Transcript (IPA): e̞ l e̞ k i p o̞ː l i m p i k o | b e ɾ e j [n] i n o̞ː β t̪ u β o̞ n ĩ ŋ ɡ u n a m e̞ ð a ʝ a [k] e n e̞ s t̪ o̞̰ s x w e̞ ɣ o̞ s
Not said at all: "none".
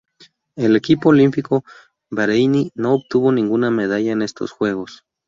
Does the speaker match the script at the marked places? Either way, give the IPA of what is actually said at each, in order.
n, none

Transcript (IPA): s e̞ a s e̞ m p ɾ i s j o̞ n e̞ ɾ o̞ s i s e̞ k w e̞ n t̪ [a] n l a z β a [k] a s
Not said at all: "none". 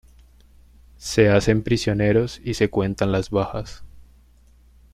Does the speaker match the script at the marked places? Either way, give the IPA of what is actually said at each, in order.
a, x

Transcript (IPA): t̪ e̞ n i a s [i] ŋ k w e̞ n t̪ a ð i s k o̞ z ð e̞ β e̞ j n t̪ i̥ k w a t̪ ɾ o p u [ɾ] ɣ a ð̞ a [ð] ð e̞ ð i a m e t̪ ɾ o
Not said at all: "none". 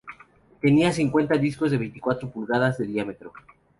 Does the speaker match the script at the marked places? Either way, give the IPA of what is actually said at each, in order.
i, l, z

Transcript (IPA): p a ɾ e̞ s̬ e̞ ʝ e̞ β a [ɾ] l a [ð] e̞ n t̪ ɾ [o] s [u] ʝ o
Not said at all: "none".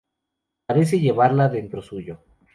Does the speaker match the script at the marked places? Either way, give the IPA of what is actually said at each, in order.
ɾ, ð, o, u

